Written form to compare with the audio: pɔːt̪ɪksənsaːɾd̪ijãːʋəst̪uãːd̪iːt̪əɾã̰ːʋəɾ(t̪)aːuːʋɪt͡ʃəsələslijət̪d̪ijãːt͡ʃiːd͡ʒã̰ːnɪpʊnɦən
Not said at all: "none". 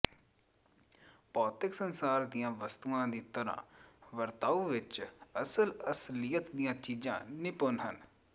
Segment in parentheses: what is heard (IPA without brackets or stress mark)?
t̪